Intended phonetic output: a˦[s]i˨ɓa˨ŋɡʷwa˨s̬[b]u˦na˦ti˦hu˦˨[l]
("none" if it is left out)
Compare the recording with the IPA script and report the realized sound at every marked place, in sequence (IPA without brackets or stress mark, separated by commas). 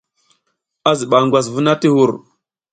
z, v, ɾ